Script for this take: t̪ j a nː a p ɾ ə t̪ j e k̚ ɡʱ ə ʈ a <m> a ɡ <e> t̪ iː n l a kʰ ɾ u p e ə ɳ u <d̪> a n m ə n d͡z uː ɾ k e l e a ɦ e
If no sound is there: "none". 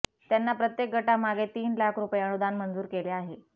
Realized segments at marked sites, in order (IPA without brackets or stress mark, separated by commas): m, e, d̪